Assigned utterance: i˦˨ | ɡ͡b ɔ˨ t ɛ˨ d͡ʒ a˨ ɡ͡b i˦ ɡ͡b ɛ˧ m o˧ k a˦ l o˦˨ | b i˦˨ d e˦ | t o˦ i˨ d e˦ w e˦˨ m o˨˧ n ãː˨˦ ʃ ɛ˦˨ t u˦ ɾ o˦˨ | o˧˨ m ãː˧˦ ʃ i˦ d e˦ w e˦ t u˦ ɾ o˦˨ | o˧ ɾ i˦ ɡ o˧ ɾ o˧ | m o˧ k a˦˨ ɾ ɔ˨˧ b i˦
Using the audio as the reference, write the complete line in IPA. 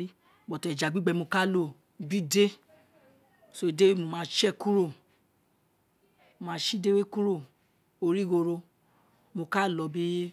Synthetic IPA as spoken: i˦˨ | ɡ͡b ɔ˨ t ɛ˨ d͡ʒ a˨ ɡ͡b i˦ ɡ͡b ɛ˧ m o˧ k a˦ l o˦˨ | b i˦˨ d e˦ | s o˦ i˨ d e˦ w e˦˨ m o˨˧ m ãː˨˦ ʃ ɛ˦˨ k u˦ ɾ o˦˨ | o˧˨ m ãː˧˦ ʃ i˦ d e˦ w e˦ k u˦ ɾ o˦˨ | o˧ ɾ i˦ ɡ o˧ ɾ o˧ | m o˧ k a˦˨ l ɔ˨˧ b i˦